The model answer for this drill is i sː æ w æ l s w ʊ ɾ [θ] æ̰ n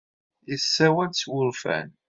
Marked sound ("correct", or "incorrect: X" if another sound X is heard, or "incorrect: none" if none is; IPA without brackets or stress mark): incorrect: f